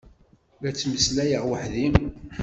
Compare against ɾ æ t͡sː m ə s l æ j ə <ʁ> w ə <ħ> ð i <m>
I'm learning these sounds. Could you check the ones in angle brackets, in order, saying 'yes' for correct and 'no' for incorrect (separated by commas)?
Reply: yes, yes, yes